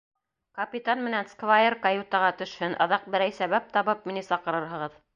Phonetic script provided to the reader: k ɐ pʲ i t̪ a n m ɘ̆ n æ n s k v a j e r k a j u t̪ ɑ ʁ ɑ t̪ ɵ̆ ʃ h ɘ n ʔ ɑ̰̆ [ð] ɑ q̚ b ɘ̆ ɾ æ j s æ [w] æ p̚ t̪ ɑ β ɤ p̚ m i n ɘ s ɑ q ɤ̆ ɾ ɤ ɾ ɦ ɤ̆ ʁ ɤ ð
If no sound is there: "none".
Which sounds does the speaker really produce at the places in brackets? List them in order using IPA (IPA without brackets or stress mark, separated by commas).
ð, β